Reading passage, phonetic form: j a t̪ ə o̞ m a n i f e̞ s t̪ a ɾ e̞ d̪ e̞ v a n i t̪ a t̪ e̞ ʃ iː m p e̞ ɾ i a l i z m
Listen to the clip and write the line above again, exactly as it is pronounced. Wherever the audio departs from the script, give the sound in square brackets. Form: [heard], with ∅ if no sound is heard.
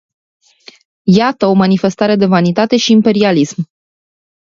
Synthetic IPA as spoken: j a t̪ ə o̞ m a n i f e̞ s t̪ a ɾ e̞ d̪ e̞ v a n i t̪ a t̪ e̞ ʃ iː m p e̞ ɾ i a l i [s] m